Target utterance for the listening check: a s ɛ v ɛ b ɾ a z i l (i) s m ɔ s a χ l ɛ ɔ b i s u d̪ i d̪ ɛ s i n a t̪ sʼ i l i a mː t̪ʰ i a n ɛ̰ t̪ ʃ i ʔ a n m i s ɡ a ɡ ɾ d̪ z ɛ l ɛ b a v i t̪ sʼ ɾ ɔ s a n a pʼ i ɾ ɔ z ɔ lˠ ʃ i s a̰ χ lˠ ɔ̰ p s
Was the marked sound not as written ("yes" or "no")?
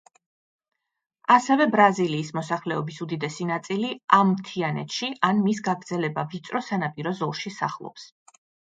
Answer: yes